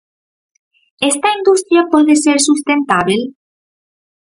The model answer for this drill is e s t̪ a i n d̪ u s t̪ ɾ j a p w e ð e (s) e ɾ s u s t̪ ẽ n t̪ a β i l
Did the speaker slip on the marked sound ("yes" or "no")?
no